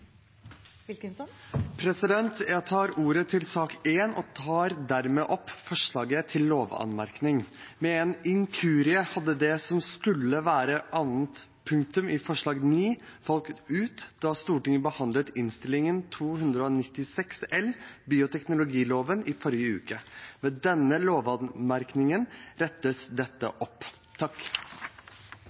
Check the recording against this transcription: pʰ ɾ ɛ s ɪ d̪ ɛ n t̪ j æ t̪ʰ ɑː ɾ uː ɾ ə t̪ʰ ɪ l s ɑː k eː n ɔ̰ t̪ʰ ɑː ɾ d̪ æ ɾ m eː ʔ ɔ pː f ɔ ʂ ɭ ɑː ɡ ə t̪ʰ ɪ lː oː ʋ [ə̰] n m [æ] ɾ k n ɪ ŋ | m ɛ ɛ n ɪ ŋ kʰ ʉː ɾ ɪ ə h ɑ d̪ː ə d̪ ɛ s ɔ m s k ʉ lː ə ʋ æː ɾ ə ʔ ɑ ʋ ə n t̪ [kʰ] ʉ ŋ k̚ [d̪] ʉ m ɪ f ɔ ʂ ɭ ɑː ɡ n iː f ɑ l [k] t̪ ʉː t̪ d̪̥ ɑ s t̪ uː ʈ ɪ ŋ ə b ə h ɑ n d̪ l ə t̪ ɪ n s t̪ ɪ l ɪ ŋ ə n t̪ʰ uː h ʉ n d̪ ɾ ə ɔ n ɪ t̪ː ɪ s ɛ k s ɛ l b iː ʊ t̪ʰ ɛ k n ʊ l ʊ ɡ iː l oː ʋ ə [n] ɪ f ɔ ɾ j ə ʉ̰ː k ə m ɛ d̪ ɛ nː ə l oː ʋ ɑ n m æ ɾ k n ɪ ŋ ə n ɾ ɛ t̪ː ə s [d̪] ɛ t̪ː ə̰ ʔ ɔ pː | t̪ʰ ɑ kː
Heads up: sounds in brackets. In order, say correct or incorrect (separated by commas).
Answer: incorrect, correct, incorrect, incorrect, correct, correct, correct